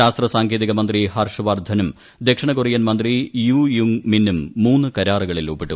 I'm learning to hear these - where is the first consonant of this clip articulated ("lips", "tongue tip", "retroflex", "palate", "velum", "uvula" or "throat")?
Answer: tongue tip